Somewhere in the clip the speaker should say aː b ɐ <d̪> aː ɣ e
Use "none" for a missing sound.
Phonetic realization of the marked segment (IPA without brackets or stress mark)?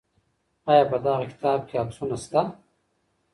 d̪